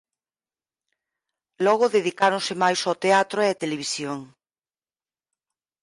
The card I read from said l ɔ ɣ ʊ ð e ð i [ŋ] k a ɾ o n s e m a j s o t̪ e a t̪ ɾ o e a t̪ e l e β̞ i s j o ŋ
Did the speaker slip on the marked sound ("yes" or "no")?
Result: yes